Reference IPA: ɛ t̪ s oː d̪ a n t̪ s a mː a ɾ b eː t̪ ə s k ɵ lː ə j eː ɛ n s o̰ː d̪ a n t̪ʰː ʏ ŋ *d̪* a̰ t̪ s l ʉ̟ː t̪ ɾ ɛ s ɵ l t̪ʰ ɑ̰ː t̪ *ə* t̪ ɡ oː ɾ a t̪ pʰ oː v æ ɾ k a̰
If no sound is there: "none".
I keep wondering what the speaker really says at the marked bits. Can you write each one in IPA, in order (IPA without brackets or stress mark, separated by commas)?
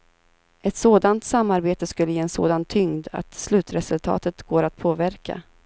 d̪, ə